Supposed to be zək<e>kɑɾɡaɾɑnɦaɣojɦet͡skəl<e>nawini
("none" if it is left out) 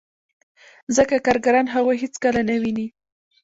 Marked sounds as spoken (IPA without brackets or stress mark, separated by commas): a, a